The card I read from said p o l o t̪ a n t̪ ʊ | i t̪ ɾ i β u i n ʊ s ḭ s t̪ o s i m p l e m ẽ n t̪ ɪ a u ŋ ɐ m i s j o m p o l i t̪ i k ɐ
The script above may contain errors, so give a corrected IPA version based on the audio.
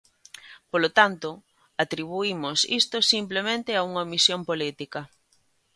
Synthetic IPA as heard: p o l o t̪ a n t̪ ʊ | a t̪ ɾ i β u i m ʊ s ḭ s t̪ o s i m p l e m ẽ n t̪ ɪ a u ŋ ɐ m i s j o m p o l i t̪ i k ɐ